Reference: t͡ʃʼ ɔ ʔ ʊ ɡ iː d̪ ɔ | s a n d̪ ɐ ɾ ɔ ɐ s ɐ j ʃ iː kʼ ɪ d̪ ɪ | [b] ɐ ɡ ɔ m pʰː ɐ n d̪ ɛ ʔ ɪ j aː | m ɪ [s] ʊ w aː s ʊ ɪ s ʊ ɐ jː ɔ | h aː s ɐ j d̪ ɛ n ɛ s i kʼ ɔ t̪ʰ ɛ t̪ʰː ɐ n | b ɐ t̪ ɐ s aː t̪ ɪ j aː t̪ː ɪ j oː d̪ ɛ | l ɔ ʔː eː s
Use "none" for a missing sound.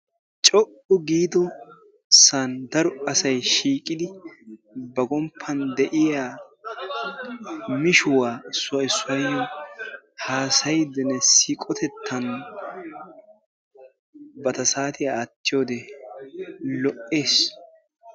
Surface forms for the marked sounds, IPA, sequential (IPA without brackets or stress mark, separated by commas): b, ʃ